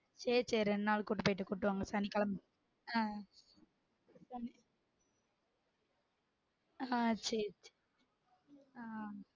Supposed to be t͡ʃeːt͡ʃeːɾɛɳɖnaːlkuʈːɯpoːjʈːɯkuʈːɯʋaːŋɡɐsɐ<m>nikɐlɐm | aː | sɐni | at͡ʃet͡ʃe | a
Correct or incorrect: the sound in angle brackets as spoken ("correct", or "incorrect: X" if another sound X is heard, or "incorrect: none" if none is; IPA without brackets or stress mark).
incorrect: none